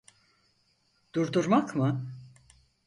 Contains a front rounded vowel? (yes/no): no